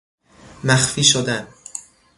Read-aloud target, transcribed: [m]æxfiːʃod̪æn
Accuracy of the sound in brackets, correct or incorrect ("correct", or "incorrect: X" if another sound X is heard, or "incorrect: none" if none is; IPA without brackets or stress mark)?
correct